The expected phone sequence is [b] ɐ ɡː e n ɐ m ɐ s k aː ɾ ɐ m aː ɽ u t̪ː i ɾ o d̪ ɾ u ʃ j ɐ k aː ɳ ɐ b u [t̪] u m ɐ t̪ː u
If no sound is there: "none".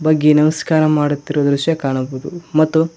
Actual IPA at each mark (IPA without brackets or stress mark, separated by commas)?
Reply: b, d̪